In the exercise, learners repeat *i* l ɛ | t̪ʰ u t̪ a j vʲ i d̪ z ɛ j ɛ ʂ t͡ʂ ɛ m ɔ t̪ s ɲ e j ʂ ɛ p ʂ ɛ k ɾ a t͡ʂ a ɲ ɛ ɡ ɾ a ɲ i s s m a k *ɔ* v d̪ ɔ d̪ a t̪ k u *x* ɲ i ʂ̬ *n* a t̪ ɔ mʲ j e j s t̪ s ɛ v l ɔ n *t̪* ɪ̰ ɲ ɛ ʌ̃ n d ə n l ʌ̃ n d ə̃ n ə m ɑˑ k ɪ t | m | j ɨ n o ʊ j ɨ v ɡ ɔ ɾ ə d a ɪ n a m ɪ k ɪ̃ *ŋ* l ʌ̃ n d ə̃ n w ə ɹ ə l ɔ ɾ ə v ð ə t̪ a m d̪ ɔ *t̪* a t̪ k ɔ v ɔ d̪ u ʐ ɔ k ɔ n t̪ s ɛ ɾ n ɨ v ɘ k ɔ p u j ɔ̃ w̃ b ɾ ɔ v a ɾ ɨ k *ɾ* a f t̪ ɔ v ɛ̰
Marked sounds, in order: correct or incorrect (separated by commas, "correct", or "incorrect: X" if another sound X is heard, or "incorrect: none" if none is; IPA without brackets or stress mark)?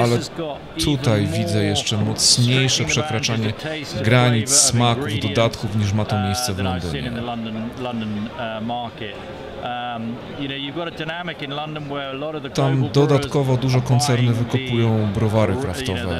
incorrect: a, incorrect: u, incorrect: f, incorrect: m, incorrect: d̪, incorrect: n, incorrect: d̪, correct